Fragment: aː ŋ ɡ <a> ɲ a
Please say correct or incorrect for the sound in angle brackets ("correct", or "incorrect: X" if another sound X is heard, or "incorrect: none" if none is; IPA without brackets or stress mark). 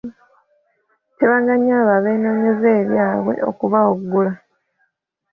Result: correct